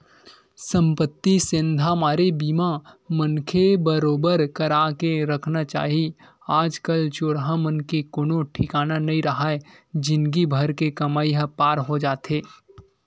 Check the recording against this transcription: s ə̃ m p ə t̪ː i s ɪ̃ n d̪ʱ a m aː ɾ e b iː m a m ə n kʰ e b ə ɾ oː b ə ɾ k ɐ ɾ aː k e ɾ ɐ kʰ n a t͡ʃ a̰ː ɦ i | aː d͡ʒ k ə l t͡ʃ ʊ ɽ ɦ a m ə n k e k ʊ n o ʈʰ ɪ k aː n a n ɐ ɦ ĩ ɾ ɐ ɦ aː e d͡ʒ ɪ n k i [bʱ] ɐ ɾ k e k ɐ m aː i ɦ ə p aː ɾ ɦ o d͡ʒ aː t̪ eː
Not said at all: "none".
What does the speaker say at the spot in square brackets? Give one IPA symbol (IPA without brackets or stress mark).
bʱ